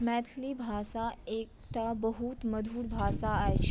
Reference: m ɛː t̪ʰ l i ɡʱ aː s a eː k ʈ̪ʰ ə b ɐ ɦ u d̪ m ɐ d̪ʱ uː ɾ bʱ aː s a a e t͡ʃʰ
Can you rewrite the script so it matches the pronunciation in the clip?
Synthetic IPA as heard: m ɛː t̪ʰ l i bʱ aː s a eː k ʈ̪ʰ a b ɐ ɦ u t̪ m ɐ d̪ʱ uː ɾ bʱ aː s a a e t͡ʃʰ